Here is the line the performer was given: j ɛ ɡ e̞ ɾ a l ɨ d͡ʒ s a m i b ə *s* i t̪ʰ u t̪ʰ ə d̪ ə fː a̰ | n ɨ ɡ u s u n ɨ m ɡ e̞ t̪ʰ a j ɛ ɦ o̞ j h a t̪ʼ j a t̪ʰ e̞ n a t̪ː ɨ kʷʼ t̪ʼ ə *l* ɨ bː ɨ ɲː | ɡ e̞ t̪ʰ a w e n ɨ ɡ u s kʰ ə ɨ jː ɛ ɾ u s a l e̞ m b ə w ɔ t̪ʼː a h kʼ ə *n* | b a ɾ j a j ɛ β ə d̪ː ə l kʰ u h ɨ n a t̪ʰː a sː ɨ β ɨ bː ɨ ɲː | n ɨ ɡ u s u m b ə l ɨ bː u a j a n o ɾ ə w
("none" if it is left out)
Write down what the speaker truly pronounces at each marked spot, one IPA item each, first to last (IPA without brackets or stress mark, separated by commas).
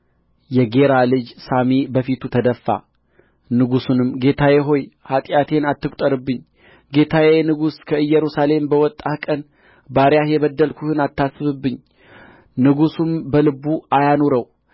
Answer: f, ɾ, n